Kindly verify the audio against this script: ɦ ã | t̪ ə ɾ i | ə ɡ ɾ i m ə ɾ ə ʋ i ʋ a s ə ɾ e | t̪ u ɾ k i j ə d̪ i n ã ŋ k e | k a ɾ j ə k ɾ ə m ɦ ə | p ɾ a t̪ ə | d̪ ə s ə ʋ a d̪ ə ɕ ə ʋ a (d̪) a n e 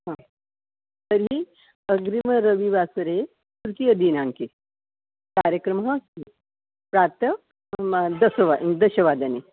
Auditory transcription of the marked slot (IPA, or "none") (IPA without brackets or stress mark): d̪